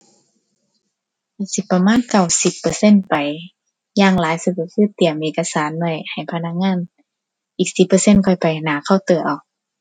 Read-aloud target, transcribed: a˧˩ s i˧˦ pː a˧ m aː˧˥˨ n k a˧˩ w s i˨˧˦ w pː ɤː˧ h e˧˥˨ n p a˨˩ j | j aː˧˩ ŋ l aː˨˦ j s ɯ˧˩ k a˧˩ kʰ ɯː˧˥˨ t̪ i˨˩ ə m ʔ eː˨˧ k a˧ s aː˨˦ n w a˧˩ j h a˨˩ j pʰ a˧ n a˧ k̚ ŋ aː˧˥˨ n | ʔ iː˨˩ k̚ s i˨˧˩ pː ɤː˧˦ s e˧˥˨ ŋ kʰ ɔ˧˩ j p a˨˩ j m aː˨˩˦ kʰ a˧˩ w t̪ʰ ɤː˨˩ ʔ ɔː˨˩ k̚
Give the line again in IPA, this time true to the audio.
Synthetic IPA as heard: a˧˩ s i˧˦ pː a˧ m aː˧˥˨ n k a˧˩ w s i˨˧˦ pː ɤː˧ s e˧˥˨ n p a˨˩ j | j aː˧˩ ŋ l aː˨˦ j s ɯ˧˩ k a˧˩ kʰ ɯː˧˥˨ t̪ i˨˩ ə m ʔ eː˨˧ k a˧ s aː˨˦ n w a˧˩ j h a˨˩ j pʰ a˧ n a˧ k̚ ŋ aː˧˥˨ n | ʔ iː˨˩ k̚ s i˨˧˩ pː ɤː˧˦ s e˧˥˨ n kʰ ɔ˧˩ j p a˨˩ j n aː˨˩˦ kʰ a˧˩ w t̪ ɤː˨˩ ʔ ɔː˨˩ k̚

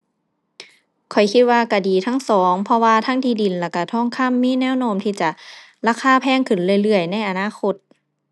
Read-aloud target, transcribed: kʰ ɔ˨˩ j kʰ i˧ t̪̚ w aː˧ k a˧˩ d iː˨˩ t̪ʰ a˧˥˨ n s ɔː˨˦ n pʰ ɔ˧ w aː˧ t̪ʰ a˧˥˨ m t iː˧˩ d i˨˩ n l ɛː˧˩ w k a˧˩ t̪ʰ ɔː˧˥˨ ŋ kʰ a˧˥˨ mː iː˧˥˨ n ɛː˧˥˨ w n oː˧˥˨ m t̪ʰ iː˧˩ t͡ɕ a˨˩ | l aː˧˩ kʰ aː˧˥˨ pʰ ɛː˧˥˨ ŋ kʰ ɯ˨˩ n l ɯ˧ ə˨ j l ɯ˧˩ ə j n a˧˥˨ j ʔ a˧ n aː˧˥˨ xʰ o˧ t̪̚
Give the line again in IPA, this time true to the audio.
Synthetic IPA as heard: kʰ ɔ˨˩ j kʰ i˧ t̪̚ w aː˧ k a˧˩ d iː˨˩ t̪ʰ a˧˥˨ ŋ s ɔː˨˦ ŋ pʰ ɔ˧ w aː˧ t̪ʰ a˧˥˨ ŋ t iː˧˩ d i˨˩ n l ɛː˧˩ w k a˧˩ t̪ʰ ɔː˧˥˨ ŋ kʰ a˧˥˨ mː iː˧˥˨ n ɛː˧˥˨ w n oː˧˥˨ m t̪ʰ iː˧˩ t͡ɕ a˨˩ | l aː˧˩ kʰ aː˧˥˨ pʰ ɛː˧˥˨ ŋ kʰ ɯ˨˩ n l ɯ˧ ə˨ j l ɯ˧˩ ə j n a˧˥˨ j ʔ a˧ n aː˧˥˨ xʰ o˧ t̪̚

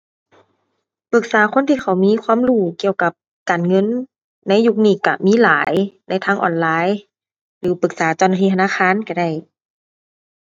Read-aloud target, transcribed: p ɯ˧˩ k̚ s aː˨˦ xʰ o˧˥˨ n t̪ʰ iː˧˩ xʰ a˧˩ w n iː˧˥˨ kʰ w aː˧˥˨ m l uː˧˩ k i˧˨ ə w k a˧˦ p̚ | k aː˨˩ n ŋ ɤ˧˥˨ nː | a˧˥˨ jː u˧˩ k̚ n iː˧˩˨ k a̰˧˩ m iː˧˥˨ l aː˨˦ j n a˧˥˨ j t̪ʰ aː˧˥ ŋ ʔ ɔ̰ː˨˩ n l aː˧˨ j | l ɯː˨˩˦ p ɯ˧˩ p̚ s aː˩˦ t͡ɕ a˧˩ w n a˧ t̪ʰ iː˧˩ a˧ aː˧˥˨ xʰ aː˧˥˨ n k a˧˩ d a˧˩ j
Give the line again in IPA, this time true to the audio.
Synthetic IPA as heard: p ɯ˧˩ k̚ s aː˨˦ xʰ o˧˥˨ n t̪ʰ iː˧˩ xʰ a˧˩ w m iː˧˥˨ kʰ w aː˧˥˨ m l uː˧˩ k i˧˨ ə w k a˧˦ p̚ | k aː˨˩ n ŋ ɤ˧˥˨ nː | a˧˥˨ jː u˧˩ k̚ n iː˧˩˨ k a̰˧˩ m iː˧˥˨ l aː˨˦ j n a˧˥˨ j t̪ʰ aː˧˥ ŋ ʔ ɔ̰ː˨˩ n l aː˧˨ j | l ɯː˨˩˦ p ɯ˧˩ k̚ s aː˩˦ t͡ɕ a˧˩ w n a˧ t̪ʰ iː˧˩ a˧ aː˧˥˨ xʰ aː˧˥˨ n k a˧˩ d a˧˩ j

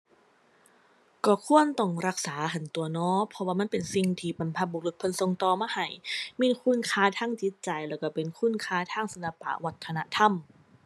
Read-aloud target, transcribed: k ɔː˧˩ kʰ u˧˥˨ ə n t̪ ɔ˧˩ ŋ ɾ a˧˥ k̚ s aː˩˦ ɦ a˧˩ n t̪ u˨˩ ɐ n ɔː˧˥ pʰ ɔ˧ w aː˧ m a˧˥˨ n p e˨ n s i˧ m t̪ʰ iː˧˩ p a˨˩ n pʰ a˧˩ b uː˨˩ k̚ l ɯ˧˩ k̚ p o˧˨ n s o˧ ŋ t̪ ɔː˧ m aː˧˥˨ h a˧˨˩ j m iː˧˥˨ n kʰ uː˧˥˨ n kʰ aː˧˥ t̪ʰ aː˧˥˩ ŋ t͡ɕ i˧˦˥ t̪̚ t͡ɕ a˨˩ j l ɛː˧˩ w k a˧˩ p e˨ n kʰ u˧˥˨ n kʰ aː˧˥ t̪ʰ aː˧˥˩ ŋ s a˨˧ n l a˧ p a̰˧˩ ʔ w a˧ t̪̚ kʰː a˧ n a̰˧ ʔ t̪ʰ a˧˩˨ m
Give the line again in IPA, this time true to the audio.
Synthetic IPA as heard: k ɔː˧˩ kʰ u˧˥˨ ə n t̪ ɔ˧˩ ŋ ɾ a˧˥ k̚ s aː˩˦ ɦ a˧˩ n t̪ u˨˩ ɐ n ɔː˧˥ pʰ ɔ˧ w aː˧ m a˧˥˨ n p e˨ n s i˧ ŋ t̪ʰ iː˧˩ p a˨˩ n pʰ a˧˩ b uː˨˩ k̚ l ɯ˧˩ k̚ pʰ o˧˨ n s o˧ ŋ t̪ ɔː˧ m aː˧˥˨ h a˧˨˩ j m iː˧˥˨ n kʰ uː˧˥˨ n kʰ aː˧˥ t̪ʰ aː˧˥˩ ŋ t͡ɕ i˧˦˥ t̪̚ t͡ɕ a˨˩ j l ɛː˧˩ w k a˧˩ p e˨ n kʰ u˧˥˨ n kʰ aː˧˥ t̪ʰ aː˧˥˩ ŋ s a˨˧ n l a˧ p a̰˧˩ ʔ w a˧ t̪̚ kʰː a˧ n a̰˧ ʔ t̪ʰ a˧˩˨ m

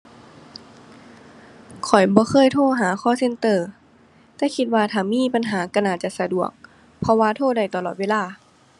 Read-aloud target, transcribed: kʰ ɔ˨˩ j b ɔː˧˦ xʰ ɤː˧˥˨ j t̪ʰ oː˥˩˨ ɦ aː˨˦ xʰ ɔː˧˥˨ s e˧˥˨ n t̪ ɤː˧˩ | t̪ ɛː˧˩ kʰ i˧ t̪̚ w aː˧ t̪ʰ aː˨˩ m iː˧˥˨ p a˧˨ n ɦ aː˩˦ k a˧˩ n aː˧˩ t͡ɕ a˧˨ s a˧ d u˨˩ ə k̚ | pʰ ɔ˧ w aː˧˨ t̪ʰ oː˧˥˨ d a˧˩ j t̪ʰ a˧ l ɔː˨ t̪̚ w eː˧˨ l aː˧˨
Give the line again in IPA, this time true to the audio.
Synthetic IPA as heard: kʰ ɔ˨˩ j b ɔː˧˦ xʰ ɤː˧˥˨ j t̪ʰ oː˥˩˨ ɦ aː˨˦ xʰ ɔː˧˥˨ s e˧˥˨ n t̪ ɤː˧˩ | t̪ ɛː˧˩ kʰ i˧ t̪̚ w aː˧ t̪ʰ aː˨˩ m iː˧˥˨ p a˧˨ n ɦ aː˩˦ k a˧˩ n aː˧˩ t͡ɕ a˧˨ s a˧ d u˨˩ ə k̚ | pʰ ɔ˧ w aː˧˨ t̪ʰ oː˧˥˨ d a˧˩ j t̪ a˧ l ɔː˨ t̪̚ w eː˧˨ l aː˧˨

